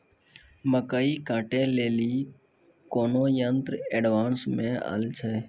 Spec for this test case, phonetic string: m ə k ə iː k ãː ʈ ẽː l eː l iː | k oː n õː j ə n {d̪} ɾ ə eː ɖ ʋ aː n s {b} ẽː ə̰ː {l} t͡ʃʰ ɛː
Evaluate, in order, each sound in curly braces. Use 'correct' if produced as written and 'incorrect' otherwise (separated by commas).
incorrect, incorrect, correct